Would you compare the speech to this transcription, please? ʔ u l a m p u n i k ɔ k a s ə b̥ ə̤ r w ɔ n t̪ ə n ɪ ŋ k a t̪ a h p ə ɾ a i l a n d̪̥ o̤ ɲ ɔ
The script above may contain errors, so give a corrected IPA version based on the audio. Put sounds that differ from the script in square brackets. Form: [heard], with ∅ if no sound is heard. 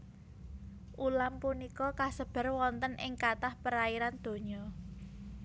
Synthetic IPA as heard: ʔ u l a m p u n i k ɔ k a s ə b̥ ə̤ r w ɔ n t̪ ə n ɪ ŋ k a t̪ a h p ə ɾ a i [ɾ] a n d̪̥ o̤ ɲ ɔ